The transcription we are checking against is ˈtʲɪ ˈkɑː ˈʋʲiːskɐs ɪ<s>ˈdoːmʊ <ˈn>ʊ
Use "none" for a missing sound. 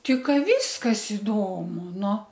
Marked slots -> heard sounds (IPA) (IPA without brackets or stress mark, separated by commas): none, n